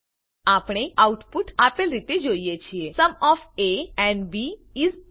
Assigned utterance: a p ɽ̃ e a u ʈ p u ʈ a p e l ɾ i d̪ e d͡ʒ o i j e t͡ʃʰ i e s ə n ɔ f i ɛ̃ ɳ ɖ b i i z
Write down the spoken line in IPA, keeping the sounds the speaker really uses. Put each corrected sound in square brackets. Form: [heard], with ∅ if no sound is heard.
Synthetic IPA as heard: a p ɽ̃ e a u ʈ p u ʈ a p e l ɾ i [t̪] e d͡ʒ o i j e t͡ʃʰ i e s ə [m] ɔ f [e] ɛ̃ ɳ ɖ b i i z